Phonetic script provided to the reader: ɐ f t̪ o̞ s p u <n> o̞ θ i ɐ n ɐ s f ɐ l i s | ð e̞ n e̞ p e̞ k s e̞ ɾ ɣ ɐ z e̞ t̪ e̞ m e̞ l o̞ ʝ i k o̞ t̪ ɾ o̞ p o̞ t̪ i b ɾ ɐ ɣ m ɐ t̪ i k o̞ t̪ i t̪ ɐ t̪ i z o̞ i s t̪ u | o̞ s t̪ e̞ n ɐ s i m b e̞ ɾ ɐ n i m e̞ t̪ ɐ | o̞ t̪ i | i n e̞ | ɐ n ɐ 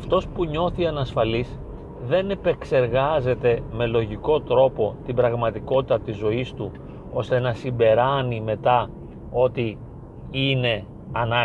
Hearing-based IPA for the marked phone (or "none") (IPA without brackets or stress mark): ɲ